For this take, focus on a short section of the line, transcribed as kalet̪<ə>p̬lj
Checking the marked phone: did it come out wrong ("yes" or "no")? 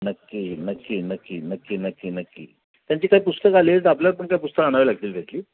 yes